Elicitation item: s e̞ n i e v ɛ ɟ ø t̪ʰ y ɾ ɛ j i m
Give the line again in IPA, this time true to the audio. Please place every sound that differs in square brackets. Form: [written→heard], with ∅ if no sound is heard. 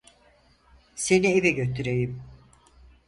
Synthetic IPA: s e̞ n i e v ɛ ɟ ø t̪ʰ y ɾ [ɛ→e] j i m